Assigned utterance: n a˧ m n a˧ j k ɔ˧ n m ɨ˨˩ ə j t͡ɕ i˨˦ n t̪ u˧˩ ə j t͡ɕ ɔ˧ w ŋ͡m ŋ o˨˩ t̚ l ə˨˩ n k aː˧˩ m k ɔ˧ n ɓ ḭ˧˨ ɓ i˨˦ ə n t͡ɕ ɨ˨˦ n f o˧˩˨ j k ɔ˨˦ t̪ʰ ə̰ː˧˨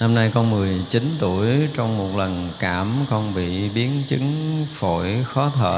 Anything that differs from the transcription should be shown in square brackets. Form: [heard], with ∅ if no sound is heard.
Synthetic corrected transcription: n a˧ m n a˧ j k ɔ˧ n m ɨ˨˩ ə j t͡ɕ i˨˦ n t̪ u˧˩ ə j t͡ɕ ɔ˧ w ŋ͡m [m] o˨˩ t̚ l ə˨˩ n k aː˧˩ m k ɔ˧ n ɓ ḭ˧˨ ɓ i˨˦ ə n t͡ɕ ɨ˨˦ [ŋ] f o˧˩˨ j [x] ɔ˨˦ t̪ʰ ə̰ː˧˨